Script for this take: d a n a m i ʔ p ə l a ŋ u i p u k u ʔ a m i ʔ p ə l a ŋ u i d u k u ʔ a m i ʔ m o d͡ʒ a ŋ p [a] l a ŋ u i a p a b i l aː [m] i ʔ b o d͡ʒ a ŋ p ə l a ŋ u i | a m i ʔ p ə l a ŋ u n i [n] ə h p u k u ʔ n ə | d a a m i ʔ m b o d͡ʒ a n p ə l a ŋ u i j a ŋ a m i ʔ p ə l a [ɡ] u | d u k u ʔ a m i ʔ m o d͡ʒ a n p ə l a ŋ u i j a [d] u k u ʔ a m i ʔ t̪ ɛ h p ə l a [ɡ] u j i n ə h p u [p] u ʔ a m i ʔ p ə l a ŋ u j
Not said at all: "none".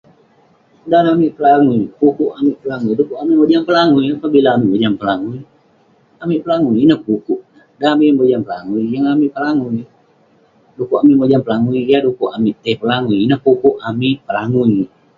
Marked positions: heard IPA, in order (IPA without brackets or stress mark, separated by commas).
ə, m, n, ŋ, d, ŋ, k